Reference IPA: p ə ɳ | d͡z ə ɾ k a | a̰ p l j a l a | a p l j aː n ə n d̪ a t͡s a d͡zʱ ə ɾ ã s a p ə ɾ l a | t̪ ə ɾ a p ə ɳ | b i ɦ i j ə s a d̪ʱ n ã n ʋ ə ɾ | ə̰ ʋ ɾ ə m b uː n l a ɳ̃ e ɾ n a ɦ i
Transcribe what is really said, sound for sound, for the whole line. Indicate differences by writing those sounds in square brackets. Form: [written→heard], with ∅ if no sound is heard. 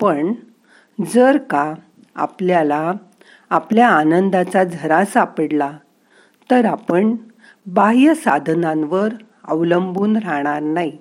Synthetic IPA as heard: p ə ɳ | d͡z ə ɾ k a | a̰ p l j a l a | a p l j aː n ə n d̪ a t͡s a d͡zʱ ə ɾ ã s a p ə [ɾ→ɽ] l a | t̪ ə ɾ a p ə ɳ | b [i→a] ɦ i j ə s a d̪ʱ n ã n ʋ ə ɾ | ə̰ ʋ [ɾ→l] ə m b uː n [l→ɾ] a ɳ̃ [e→a] ɾ n a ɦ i